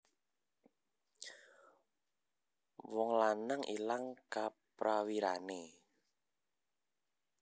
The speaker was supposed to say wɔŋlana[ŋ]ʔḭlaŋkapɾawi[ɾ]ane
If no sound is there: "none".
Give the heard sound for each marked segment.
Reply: ŋ, ɾ

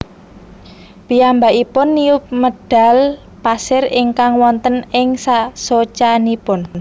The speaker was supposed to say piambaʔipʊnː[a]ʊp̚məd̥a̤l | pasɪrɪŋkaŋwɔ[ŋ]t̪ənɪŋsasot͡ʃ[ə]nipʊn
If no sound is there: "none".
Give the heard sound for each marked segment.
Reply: i, n, a

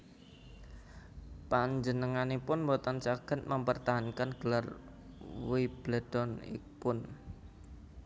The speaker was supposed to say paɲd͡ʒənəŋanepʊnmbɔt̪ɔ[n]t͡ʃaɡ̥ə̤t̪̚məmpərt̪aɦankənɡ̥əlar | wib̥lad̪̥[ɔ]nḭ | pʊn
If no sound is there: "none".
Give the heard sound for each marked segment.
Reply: n, ɔ

